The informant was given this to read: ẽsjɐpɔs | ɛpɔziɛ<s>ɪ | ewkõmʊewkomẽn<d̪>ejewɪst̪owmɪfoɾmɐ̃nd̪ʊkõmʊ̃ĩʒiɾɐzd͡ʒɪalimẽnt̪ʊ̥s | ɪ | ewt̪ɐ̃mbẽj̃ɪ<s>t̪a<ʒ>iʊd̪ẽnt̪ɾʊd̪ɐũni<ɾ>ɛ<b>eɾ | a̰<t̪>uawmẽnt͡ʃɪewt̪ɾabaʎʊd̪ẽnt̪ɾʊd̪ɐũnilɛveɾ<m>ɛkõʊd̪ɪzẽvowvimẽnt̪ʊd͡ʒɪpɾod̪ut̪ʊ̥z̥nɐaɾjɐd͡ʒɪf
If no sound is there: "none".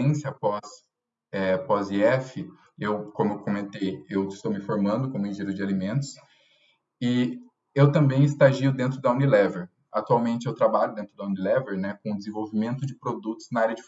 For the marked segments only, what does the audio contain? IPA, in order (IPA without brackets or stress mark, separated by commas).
f, t̪, s, ʒ, l, v, t̪, n